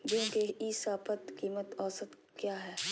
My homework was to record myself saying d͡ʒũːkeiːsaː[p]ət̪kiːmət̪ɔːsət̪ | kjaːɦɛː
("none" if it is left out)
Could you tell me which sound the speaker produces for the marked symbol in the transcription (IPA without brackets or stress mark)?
p